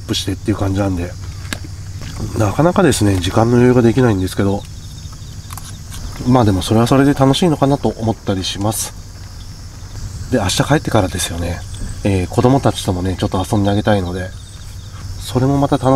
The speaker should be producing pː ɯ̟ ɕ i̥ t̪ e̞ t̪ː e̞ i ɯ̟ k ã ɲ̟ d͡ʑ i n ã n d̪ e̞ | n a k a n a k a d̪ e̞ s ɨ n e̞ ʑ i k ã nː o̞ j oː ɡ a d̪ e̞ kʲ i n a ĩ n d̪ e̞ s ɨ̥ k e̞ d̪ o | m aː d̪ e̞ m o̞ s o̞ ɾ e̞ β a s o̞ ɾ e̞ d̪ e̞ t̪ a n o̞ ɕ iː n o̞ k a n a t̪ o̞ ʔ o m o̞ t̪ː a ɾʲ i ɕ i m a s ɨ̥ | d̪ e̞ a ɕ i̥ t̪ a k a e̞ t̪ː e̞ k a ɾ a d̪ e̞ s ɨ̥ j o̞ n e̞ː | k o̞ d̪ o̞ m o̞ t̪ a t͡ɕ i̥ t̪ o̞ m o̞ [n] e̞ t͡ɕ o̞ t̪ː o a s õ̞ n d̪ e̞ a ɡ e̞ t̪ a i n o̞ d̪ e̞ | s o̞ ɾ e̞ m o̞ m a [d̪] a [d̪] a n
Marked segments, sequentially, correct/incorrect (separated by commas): correct, incorrect, incorrect